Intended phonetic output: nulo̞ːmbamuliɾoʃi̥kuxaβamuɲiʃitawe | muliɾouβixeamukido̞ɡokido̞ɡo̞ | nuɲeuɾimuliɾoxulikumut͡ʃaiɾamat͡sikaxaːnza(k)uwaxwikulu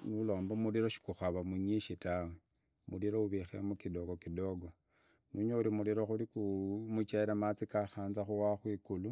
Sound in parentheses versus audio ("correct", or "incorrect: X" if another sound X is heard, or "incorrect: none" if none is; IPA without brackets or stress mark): incorrect: x